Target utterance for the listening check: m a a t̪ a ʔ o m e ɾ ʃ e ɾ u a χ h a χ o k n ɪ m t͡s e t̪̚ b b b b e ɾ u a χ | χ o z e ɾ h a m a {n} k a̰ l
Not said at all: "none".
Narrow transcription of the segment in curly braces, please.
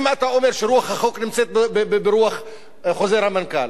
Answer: n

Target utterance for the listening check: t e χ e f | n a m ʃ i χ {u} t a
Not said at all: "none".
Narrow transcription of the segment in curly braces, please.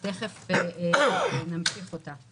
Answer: o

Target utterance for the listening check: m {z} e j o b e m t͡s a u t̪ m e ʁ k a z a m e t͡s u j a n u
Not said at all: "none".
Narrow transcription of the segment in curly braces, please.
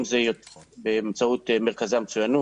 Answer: z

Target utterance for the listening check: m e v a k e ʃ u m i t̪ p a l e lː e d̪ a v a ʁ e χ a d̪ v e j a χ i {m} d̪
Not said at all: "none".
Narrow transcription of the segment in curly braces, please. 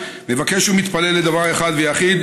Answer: none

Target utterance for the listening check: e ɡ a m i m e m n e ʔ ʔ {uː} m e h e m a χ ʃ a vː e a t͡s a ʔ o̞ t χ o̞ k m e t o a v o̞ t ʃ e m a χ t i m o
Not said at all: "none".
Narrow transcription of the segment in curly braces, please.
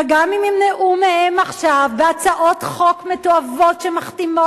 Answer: u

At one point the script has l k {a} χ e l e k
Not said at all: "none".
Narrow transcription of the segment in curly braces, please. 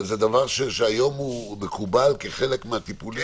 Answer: e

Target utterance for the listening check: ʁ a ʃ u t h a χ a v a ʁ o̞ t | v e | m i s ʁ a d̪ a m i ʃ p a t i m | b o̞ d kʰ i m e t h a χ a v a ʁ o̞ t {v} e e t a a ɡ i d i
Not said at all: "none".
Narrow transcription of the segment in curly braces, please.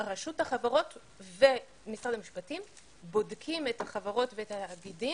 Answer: v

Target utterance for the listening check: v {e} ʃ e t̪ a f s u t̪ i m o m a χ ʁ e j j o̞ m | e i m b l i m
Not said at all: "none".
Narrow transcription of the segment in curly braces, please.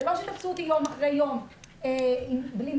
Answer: a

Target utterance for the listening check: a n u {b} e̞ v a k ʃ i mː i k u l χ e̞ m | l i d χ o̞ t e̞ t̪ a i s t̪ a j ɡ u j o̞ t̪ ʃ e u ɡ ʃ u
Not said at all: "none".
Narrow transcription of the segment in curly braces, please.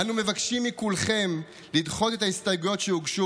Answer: m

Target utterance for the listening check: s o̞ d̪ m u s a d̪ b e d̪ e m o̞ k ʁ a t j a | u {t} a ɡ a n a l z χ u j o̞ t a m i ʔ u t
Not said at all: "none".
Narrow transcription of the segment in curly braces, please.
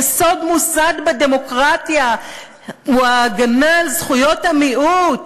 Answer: none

